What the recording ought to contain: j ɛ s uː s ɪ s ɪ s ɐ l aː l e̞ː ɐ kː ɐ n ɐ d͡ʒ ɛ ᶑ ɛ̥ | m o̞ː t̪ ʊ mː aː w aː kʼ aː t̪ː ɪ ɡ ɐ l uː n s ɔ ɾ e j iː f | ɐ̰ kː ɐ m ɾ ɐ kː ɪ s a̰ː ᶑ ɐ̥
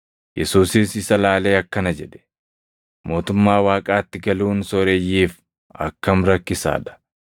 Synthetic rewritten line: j ɛ s uː s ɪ s ɪ s ɐ l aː l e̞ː ɐ kː ɐ n ɐ d͡ʒ ɛ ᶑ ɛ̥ | m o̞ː t̪ ʊ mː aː w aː kʼ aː t̪ː ɪ ɡ ɐ l uː n s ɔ ɾ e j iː f | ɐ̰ kː ɐ m ɾ ɐ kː ɪ s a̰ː ᶑ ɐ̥